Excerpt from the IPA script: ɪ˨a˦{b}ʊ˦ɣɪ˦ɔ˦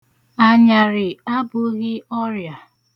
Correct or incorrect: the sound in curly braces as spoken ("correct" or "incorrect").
correct